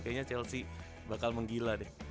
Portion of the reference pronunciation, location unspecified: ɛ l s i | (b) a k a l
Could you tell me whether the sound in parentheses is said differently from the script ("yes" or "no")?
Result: no